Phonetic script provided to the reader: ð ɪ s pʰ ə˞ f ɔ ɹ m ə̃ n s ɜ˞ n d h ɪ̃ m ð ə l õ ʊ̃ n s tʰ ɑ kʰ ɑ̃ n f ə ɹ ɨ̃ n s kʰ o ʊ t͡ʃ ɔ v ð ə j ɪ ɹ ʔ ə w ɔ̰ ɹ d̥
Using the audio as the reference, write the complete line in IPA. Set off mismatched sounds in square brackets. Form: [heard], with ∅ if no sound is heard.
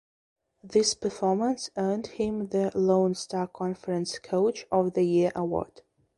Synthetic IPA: ð ɪ s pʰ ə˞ f ɔ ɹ m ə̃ n s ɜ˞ n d h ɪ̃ m ð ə l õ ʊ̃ n s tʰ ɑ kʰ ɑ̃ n f ə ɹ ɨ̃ n s kʰ o ʊ t͡ʃ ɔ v ð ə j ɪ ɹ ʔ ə w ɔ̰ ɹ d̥